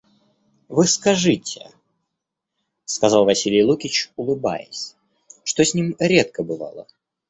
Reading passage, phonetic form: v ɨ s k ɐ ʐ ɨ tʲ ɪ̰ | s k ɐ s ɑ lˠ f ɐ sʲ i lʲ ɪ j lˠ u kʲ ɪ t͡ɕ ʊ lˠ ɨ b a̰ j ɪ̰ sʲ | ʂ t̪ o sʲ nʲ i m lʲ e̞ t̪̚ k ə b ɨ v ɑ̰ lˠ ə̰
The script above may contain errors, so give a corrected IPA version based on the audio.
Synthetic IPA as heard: v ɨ s k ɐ ʐ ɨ tʲ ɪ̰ | s k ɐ z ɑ lˠ v ɐ sʲ i lʲ ɪ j lˠ u kʲ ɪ t͡ɕ ʊ lˠ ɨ b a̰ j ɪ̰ sʲ | ʂ t̪ o sʲ nʲ i m ɾʲ e̞ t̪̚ k ə b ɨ v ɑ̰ lˠ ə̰